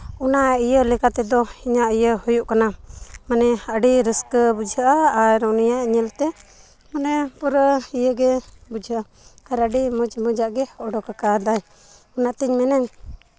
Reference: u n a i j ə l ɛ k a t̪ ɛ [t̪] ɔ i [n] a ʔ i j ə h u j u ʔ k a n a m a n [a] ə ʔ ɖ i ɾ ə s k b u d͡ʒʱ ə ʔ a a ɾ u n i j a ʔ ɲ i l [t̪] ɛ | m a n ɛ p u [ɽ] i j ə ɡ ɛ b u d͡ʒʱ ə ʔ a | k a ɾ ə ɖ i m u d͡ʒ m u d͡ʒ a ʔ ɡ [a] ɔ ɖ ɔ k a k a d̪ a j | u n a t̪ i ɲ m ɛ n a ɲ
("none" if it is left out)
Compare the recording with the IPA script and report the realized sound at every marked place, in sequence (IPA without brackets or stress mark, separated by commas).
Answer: d̪, ɲ, ɛ, t̪, ɾ, ɛ